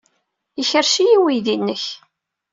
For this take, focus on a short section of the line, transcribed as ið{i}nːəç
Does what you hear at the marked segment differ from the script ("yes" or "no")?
no